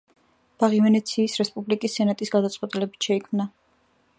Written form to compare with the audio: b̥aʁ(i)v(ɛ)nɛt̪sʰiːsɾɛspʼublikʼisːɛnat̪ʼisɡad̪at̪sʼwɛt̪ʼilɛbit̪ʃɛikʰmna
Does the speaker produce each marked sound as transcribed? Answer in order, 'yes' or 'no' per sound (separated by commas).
yes, yes